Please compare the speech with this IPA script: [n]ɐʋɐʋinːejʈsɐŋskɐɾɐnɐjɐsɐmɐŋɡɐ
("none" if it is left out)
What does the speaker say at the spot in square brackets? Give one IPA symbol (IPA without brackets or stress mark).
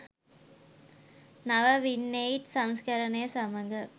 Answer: n